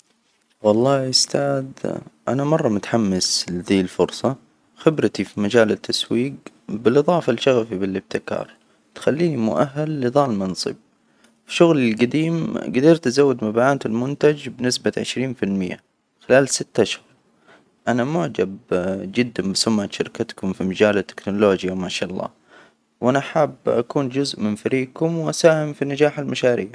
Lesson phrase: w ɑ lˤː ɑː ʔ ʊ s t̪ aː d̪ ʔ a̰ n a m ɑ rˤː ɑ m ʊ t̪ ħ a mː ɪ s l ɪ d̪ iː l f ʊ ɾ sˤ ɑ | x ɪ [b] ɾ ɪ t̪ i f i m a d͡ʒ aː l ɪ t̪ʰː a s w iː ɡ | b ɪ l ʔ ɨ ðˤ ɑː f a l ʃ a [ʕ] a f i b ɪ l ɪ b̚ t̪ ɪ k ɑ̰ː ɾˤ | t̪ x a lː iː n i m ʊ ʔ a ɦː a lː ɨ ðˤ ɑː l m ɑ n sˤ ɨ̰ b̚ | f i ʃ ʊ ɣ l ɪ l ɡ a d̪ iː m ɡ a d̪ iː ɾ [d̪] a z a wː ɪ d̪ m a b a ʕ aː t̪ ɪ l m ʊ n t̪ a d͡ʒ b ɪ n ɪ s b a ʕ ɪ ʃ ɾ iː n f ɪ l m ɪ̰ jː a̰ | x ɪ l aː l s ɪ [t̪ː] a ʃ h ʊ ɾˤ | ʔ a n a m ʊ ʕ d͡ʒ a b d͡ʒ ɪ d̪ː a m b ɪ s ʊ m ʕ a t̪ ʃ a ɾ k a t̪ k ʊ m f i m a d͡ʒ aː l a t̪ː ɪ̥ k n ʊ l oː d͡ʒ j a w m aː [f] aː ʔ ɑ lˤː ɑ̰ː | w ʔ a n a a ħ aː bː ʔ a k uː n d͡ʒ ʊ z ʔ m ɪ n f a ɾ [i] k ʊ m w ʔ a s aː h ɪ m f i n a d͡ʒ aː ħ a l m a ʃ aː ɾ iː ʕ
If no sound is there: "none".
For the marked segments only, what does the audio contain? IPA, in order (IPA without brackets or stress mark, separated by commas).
b, ɣ, t̪, t̪ː, ʃ, iː